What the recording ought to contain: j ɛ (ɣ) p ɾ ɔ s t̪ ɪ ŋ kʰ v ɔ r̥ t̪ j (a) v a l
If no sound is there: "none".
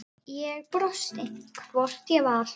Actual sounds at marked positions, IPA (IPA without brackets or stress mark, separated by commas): ɣ, ɛ